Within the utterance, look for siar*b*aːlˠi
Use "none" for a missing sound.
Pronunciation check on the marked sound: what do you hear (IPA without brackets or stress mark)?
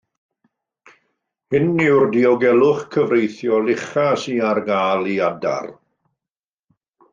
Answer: ɡ